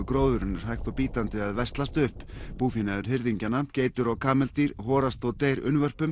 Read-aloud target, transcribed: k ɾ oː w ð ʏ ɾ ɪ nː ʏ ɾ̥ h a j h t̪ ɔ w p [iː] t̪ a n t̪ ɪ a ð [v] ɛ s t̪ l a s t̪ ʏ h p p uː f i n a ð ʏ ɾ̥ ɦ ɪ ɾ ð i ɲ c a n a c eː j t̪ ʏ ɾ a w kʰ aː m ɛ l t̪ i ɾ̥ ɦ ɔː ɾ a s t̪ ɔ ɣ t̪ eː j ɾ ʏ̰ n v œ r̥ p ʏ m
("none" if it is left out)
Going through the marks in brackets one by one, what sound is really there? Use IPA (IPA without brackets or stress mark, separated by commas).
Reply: iː, v